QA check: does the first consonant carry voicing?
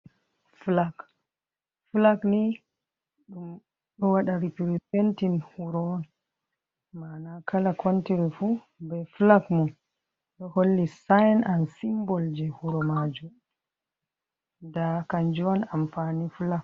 no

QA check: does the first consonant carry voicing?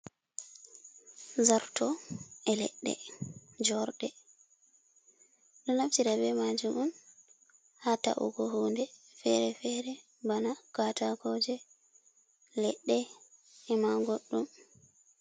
yes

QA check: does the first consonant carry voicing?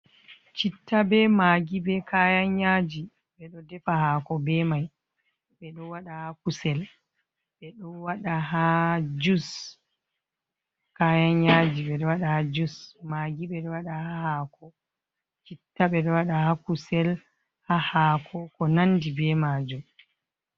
no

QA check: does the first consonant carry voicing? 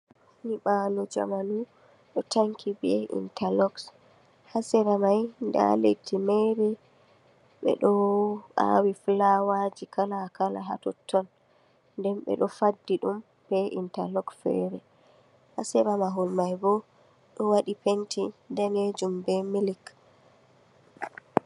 yes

